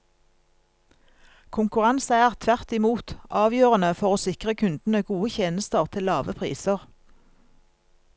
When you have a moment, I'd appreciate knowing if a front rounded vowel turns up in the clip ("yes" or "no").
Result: yes